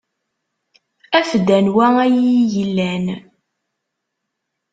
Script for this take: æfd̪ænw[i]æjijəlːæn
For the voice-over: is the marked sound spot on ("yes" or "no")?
no